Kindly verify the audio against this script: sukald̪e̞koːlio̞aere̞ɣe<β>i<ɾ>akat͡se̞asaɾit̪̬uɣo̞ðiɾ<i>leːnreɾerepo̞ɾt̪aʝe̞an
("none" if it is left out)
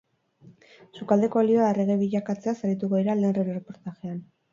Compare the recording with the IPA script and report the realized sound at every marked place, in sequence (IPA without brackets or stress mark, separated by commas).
β, ʎ, a